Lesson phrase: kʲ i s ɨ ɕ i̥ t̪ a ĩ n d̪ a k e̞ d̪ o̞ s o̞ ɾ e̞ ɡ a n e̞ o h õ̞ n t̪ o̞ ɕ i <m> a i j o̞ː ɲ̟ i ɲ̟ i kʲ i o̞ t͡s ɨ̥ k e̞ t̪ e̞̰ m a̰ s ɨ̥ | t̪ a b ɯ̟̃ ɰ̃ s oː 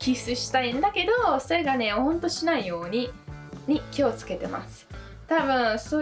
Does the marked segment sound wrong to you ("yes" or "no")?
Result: yes